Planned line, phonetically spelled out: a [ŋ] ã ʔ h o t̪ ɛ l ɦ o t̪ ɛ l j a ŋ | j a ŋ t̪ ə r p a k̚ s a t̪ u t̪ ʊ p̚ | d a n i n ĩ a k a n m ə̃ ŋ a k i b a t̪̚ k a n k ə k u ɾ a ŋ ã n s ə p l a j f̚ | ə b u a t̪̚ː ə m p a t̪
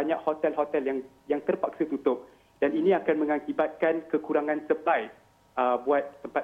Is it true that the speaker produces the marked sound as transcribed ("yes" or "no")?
no